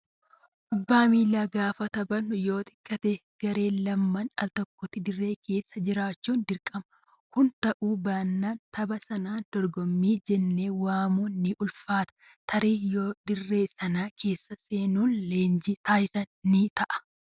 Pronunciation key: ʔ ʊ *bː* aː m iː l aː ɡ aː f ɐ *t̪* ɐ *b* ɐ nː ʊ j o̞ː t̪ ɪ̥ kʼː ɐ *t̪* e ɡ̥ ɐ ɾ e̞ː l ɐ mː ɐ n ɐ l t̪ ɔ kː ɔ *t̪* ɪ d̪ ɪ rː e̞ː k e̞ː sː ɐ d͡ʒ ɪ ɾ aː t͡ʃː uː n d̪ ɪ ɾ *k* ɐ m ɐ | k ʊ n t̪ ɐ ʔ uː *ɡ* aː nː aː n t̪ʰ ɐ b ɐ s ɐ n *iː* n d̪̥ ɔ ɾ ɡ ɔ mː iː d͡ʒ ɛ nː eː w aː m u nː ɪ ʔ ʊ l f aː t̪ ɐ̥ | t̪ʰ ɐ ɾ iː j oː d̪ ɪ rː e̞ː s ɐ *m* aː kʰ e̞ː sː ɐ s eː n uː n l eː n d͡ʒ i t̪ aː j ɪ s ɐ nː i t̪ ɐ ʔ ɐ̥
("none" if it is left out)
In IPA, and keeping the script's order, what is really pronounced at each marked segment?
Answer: bː, t̪, b, t̪, t̪, kʼ, b, aː, n

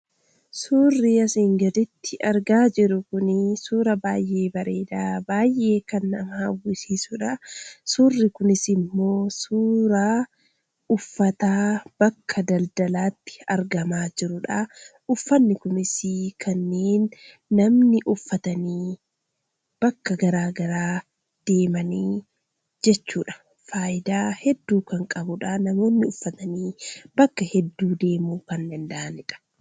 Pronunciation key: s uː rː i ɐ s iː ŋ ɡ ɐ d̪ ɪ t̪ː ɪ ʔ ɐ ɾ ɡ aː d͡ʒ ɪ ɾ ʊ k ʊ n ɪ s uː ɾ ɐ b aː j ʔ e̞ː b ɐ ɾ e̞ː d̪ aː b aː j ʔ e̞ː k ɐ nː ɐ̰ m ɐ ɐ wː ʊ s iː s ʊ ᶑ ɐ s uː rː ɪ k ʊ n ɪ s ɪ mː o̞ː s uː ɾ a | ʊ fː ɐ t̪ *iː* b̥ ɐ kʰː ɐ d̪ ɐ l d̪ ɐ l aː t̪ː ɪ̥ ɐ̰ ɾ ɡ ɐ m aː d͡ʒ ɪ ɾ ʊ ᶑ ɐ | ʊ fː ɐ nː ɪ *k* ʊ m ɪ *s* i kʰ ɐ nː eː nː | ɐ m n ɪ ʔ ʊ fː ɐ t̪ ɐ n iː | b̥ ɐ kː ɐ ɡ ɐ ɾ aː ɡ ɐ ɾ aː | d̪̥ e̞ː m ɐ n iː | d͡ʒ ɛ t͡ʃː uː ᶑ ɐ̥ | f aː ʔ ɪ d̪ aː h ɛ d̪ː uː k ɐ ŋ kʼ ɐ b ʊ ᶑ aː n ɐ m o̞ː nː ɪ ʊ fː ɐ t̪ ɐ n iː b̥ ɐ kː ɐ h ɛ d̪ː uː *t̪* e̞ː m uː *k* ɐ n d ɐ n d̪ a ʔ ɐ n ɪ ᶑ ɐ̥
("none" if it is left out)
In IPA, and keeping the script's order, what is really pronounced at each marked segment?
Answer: aː, k, s, d̪, k

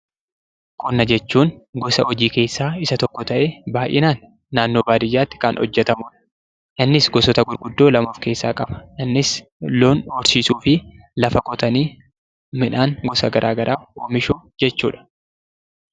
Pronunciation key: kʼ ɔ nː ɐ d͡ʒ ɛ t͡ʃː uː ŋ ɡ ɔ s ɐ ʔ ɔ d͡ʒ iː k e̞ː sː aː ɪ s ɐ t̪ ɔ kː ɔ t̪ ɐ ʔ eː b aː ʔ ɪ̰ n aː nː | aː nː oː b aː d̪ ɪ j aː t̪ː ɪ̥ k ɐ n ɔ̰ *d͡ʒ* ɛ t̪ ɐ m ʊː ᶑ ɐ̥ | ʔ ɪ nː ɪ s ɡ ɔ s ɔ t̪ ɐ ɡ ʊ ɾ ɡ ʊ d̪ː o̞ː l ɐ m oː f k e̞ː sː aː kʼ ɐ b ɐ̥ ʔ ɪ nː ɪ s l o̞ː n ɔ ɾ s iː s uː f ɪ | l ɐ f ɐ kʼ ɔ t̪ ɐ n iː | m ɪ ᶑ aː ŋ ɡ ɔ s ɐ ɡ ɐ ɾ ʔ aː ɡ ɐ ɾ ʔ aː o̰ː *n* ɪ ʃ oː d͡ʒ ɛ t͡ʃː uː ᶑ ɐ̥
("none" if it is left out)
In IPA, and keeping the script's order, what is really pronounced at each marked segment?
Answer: d͡ʒː, m

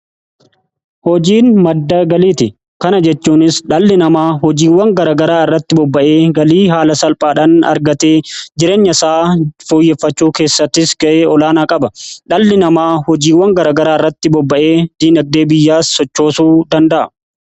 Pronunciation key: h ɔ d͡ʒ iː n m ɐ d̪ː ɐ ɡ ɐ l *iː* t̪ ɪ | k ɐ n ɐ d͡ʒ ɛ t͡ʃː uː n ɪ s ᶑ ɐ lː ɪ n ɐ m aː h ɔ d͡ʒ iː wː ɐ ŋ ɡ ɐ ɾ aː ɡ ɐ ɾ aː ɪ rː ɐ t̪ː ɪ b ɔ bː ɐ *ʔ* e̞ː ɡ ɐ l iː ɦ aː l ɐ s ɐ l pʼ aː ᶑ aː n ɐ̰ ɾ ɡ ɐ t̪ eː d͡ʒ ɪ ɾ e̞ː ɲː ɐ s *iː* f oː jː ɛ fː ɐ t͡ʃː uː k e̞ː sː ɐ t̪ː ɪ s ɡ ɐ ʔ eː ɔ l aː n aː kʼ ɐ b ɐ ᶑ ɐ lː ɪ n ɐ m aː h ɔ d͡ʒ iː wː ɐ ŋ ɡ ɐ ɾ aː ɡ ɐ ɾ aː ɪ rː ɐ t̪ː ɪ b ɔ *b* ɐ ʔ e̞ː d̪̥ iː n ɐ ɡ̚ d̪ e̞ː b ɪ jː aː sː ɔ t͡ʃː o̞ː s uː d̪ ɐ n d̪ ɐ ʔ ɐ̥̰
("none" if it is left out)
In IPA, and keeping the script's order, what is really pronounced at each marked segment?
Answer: iː, ʔ, aː, bː

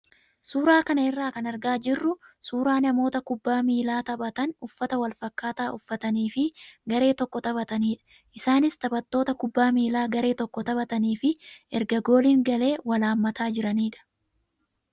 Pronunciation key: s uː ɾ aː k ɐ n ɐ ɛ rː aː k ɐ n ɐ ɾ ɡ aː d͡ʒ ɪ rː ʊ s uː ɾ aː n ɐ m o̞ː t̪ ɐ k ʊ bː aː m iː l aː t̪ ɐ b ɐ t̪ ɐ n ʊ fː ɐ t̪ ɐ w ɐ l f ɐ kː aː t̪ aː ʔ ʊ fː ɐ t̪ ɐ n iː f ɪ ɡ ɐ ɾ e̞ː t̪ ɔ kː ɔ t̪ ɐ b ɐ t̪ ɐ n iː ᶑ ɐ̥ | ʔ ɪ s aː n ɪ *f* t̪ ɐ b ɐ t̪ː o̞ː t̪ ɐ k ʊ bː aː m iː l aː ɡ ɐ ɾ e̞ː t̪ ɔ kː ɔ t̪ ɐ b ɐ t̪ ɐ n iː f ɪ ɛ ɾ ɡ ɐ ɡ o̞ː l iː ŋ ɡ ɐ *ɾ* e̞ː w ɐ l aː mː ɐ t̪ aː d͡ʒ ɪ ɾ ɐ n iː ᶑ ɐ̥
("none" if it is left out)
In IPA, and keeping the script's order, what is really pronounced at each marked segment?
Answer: s, l

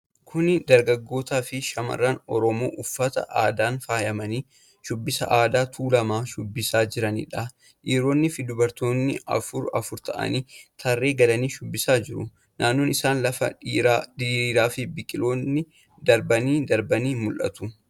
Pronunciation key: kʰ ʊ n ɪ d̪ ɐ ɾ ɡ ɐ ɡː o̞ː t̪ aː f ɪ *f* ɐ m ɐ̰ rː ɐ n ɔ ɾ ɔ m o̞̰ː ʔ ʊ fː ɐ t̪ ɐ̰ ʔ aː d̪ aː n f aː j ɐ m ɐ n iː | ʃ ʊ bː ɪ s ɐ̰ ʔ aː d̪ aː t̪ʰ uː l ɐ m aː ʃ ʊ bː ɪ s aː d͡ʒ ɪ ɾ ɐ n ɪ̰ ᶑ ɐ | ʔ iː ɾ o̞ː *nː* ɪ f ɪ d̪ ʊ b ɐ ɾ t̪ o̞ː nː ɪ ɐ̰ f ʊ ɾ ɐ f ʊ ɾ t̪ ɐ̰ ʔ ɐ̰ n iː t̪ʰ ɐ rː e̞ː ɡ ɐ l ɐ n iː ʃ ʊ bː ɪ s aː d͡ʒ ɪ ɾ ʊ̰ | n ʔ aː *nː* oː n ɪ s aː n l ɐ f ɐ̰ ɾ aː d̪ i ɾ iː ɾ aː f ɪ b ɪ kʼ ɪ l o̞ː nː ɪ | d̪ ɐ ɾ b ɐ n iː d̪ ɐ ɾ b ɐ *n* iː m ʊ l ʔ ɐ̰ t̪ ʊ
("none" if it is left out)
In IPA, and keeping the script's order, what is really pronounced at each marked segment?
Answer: ʃ, nː, nː, n

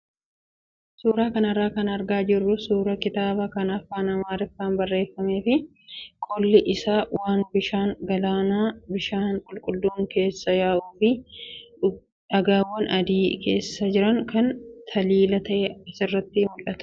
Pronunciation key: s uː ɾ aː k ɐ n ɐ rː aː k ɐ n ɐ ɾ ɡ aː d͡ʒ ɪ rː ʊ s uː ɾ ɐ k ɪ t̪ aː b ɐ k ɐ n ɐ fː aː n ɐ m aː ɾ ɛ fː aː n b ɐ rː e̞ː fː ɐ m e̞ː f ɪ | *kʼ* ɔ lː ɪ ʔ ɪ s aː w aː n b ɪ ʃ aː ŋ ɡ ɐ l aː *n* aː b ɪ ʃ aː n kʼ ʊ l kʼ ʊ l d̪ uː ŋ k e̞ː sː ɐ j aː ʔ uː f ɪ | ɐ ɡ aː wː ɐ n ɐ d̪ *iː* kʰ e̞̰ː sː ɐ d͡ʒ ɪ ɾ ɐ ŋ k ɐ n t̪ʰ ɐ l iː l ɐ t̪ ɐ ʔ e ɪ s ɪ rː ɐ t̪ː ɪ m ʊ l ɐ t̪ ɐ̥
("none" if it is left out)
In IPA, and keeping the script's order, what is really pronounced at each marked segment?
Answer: kʼ, n, iː

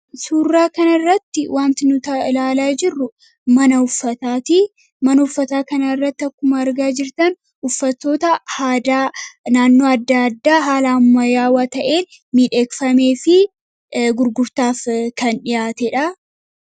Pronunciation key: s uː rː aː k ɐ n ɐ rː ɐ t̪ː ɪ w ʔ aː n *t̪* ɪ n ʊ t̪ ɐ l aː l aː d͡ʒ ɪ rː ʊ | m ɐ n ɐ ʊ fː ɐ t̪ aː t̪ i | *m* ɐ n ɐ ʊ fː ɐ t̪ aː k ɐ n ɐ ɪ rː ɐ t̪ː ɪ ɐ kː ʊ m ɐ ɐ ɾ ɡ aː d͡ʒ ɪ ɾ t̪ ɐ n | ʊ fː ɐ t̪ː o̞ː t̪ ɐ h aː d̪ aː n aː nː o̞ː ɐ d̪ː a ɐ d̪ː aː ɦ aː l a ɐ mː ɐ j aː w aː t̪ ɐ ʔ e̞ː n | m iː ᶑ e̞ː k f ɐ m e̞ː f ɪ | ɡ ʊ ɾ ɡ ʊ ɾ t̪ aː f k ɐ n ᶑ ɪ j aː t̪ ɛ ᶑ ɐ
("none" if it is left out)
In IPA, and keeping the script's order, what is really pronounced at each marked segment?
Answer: t̪, m

